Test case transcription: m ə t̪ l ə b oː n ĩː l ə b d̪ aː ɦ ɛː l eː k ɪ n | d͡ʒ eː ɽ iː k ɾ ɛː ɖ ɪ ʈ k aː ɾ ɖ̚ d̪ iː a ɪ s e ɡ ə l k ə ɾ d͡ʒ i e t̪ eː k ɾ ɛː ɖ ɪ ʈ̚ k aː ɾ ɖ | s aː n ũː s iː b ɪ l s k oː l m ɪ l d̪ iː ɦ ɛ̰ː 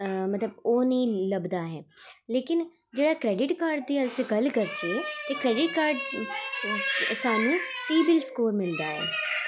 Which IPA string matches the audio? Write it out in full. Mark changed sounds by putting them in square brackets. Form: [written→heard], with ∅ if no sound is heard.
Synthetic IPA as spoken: m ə t̪ l ə b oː n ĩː l ə b d̪ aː ɦ ɛː l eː k ɪ n | d͡ʒ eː ɽ [iː→aː] k ɾ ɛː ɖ ɪ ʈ k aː ɾ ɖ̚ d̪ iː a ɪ s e ɡ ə l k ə ɾ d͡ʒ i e t̪ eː k ɾ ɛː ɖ ɪ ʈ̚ k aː ɾ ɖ | s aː n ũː s iː b ɪ l s k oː [l→ɾ] m ɪ l d̪ [iː→aː] ɦ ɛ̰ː